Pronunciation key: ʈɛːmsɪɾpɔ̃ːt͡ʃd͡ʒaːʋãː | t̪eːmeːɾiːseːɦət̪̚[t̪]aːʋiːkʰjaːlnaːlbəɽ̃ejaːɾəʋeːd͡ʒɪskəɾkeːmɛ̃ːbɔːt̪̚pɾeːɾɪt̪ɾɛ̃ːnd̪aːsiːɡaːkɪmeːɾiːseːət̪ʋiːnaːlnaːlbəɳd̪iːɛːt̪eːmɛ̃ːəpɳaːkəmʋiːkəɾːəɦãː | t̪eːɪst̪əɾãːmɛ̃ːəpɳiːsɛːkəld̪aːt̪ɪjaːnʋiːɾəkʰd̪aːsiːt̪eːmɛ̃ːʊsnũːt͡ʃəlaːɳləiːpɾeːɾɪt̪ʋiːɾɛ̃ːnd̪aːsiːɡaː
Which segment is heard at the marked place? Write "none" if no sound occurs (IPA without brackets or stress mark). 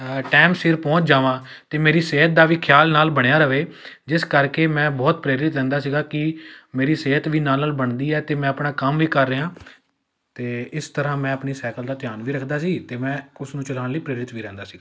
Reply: d̪